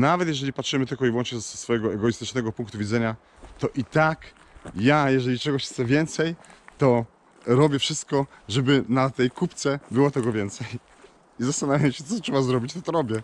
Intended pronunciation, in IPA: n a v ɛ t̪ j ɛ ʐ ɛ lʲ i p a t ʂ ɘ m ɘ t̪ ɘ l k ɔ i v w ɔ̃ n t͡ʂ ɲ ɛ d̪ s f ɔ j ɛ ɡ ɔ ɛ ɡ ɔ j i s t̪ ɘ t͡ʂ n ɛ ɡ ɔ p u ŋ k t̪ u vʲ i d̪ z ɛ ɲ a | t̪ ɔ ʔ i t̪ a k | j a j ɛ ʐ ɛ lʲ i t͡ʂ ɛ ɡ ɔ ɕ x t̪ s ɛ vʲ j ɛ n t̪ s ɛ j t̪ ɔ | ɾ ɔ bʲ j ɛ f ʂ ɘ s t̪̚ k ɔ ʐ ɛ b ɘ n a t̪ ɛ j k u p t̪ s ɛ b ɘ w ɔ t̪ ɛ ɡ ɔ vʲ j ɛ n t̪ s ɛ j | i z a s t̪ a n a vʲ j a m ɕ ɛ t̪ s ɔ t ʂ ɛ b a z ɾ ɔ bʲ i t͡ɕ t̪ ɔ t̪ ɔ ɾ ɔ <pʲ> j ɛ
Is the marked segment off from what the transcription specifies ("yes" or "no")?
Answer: yes